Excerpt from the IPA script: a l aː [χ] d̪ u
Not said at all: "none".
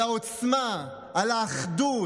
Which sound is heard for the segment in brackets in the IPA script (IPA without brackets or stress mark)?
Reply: χ